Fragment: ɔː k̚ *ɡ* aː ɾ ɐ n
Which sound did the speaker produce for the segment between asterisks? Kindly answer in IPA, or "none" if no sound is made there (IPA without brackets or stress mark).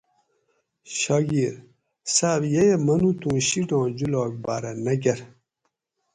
b